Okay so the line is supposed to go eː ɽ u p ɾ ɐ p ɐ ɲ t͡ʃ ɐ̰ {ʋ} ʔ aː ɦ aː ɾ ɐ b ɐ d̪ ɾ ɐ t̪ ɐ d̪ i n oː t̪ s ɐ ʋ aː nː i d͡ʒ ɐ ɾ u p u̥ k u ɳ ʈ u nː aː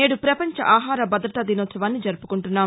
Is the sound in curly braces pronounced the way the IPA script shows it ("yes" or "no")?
no